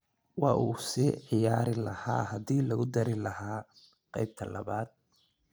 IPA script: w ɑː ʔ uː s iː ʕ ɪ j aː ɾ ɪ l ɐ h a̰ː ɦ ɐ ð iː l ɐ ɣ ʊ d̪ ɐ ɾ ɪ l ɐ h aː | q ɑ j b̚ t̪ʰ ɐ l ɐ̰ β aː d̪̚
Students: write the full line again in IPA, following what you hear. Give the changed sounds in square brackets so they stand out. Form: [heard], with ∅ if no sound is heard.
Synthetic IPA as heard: w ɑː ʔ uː s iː ʕ ɪ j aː ɾ ɪ l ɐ h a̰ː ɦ ɐ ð iː l ɐ ɣ ʊ d̪ ɐ ɾ ɪ l ɐ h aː | q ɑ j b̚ t̪ʰ ɐ l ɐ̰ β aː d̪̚